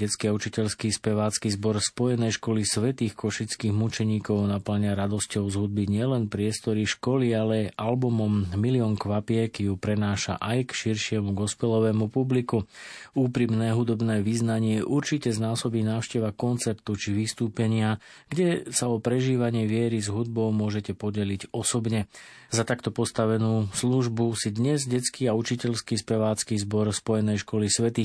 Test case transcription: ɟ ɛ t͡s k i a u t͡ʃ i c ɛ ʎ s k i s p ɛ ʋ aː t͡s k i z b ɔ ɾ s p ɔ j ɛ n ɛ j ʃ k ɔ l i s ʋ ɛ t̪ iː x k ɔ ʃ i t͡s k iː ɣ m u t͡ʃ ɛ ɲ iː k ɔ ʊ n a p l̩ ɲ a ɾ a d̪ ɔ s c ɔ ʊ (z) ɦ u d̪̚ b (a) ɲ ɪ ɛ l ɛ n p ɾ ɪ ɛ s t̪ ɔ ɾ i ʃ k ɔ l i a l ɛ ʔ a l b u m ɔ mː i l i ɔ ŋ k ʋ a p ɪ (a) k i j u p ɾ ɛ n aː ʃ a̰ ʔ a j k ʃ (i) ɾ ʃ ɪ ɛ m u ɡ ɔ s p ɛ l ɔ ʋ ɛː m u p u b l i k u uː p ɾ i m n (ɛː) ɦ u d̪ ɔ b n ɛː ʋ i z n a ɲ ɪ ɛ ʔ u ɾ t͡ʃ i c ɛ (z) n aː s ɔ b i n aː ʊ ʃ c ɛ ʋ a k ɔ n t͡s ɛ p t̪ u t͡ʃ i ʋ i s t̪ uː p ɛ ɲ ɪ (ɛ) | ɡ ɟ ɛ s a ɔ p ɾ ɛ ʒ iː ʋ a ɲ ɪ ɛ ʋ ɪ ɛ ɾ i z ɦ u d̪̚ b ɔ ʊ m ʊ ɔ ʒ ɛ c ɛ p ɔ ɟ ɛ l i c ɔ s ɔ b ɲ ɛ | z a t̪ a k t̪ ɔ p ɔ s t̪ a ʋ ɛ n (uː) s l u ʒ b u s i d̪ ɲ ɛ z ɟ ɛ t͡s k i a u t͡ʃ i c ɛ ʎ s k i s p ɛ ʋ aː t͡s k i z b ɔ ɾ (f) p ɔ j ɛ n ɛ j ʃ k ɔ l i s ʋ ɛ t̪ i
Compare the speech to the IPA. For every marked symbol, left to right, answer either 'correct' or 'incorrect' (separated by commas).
correct, incorrect, incorrect, correct, correct, correct, incorrect, correct, incorrect